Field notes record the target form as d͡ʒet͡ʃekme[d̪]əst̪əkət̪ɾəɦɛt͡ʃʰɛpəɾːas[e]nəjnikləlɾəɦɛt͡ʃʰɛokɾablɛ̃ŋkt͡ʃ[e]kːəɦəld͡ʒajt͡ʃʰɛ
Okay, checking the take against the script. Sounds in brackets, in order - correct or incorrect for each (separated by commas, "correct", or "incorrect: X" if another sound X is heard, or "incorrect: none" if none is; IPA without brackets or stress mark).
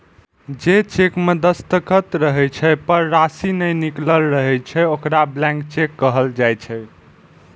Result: correct, incorrect: i, correct